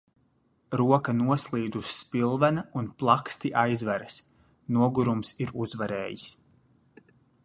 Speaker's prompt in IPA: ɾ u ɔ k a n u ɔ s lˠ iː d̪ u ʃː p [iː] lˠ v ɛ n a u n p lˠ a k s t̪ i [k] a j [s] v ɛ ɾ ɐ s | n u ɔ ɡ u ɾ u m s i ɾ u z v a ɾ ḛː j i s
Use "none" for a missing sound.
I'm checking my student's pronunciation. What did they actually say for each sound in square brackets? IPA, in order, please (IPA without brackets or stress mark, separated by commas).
i, ʔ, z